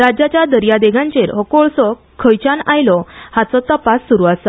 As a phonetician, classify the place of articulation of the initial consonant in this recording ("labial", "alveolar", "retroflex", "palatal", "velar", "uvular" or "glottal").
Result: alveolar